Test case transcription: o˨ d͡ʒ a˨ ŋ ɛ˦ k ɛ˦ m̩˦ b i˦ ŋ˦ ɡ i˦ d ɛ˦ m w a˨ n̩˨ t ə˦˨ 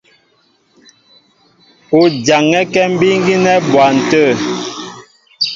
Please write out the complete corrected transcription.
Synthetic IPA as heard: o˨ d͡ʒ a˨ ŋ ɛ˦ k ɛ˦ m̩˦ b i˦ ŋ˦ ɡ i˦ n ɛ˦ b w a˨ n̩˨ t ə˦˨